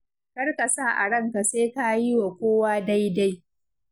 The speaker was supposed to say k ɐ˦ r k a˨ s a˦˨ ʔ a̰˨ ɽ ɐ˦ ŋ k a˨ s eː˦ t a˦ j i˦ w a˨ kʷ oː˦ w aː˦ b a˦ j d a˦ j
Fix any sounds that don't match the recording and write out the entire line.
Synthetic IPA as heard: k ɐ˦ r k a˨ s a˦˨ ʔ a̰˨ ɽ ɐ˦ ŋ k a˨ s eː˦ k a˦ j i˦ w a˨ kʷ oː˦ w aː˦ d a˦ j d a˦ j